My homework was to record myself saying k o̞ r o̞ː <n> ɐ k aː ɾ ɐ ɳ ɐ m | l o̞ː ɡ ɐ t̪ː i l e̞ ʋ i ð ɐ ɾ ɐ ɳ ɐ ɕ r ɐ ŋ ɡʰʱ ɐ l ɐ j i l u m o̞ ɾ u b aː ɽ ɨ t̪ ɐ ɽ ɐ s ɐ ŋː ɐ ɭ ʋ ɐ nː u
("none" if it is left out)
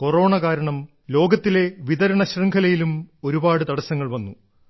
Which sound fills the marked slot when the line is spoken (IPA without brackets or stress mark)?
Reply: ɳ